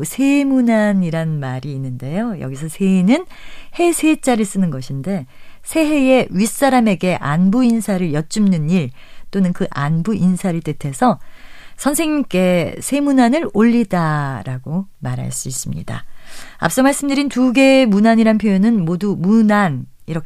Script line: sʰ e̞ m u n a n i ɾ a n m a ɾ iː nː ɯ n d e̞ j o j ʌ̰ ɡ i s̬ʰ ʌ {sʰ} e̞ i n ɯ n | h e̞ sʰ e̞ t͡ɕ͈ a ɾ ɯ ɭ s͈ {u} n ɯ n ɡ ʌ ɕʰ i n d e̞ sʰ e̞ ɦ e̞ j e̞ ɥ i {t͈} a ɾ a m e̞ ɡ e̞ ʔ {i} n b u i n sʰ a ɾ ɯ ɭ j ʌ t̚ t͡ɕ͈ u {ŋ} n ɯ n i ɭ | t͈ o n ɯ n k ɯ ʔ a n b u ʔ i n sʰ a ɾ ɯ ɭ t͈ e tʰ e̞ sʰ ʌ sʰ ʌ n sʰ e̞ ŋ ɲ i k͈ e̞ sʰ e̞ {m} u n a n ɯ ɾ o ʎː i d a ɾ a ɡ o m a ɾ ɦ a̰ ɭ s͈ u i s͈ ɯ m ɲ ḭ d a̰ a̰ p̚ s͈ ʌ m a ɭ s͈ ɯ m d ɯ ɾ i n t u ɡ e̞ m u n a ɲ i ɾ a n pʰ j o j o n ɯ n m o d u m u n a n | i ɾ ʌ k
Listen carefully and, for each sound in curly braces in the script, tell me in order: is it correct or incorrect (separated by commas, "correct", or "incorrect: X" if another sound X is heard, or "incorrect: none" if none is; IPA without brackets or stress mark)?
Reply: correct, incorrect: ɯ, incorrect: s͈, incorrect: a, incorrect: m, correct